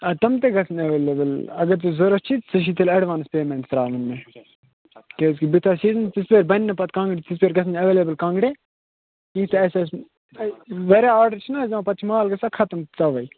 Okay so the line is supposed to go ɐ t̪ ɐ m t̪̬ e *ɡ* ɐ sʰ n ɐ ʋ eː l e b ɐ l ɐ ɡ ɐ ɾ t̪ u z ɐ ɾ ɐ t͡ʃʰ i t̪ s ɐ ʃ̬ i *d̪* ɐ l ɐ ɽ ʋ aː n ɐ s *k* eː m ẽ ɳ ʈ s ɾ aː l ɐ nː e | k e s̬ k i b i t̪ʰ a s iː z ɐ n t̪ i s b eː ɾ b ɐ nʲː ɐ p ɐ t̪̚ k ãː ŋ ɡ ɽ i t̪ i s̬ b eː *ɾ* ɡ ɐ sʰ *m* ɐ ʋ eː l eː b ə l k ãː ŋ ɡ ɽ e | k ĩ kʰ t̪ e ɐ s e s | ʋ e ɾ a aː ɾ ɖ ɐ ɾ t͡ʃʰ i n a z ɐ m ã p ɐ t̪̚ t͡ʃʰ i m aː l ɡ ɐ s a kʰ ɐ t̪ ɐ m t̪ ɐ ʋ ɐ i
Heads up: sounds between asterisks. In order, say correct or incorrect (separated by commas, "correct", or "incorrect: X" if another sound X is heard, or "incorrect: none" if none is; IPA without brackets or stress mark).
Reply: correct, incorrect: t̪, incorrect: p, correct, incorrect: n